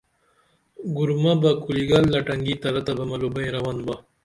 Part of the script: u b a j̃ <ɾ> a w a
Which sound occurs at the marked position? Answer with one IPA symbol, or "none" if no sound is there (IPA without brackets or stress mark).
ɾ